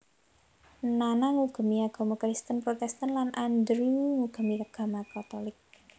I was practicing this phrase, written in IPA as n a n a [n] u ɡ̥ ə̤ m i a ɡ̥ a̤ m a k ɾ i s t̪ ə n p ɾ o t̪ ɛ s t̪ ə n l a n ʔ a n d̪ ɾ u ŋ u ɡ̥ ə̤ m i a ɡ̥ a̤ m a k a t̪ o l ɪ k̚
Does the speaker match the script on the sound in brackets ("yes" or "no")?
no